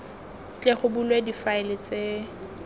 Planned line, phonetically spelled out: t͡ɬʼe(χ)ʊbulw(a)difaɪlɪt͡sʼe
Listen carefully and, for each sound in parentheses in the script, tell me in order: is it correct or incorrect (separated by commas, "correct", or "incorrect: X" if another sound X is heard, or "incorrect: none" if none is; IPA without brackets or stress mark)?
correct, incorrect: e